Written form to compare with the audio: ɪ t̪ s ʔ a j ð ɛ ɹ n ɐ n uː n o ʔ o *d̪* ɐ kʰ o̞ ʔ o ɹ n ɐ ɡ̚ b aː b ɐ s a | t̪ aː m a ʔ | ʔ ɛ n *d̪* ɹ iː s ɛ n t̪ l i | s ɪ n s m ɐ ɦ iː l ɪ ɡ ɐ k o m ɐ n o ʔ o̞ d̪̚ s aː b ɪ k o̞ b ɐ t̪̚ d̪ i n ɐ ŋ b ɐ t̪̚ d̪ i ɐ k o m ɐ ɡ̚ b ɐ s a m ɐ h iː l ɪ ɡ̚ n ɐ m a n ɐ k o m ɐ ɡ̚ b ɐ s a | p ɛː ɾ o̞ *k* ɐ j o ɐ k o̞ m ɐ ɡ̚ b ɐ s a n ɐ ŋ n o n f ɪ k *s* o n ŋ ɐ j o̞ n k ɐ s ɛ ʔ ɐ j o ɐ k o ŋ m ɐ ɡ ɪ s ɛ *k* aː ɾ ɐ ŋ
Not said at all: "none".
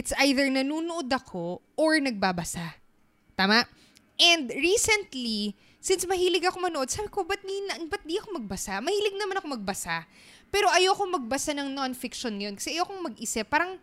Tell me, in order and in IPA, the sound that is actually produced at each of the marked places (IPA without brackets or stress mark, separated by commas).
d̪, d̪, ʔ, ʃ, p